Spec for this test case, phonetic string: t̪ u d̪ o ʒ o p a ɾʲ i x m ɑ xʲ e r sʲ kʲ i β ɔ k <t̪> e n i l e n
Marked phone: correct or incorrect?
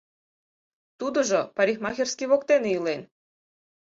correct